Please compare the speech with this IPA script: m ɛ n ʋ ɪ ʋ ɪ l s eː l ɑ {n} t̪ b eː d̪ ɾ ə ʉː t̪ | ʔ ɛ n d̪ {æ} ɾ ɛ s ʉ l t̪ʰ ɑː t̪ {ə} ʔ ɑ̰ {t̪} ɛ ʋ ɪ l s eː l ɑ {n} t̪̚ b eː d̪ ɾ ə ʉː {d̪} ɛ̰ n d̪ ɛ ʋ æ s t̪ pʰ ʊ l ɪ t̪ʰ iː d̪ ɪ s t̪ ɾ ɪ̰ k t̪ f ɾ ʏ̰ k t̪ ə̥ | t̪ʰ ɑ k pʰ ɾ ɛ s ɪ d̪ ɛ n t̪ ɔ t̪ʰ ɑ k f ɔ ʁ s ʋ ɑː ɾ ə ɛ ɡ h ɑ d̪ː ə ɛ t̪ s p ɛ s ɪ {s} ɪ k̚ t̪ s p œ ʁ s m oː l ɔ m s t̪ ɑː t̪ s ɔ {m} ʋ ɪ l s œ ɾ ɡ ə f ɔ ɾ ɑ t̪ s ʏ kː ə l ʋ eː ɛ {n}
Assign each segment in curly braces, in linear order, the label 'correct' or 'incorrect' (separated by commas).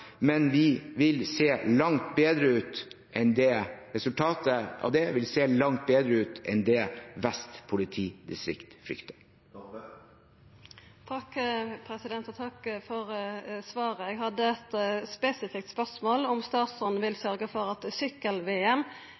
incorrect, incorrect, correct, incorrect, incorrect, incorrect, incorrect, incorrect, incorrect